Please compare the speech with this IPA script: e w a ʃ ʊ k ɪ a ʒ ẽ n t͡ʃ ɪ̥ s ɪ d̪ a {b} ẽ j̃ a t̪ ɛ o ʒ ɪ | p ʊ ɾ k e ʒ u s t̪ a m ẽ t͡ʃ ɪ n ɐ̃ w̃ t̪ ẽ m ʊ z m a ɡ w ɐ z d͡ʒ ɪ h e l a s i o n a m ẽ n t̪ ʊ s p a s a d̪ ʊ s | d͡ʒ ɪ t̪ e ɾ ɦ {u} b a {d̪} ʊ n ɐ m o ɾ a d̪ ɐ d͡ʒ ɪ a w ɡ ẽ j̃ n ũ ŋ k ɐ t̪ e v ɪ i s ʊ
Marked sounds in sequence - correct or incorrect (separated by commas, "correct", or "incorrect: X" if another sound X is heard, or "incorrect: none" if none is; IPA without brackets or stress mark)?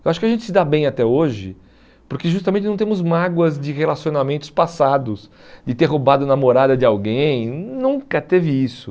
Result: correct, incorrect: o, correct